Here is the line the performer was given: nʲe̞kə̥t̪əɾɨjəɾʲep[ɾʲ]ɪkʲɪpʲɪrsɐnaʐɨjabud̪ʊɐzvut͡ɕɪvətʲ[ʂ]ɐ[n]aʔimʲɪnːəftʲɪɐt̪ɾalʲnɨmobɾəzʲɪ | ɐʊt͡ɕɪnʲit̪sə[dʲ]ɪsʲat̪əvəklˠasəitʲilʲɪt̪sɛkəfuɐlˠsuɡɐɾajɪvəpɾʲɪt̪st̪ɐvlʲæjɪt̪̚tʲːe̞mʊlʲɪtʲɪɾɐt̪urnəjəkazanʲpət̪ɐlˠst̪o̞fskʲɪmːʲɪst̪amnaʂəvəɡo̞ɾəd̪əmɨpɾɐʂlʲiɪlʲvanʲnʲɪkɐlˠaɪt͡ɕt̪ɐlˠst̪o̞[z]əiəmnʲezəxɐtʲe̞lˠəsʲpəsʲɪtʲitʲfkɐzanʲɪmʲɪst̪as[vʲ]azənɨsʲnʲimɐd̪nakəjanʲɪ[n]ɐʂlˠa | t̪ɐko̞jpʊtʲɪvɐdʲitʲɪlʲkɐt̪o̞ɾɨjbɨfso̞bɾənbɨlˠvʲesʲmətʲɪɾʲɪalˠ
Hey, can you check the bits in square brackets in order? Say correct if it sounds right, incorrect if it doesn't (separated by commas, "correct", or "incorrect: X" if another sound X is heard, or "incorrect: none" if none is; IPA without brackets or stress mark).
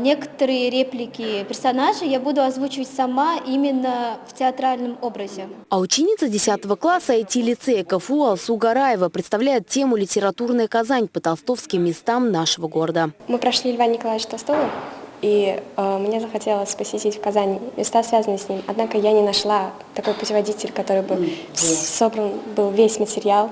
incorrect: lʲ, incorrect: s, incorrect: m, correct, incorrect: v, correct, correct